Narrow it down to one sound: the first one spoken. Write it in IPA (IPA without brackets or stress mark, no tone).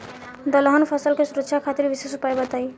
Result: d̪